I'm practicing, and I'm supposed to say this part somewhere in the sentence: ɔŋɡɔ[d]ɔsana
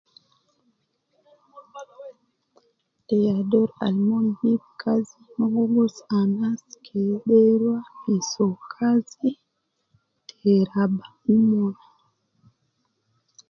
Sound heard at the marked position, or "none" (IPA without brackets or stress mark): ɡ